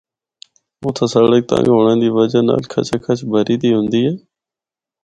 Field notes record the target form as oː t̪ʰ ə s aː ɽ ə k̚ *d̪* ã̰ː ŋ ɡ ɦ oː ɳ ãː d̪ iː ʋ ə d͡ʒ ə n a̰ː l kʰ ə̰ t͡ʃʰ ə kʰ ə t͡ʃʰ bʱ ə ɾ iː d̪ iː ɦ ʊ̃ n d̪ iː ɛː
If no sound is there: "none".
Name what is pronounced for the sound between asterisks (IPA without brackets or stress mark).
t̪